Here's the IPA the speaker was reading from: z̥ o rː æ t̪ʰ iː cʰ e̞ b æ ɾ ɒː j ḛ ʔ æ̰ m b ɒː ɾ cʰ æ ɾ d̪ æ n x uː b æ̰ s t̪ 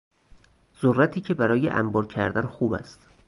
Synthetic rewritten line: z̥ o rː æ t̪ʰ iː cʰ e̞ b æ ɾ ɒː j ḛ ʔ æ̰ m b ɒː ɾ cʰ æ ɾ d̪ æ n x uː b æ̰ s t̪